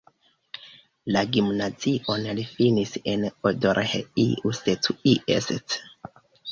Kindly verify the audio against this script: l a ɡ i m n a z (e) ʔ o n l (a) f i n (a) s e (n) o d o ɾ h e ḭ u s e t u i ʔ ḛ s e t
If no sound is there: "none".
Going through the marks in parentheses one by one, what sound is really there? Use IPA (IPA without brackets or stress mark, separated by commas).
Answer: i, i, i, n